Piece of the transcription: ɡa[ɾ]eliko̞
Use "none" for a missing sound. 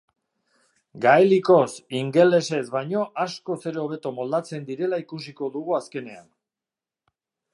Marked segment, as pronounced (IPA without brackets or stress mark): none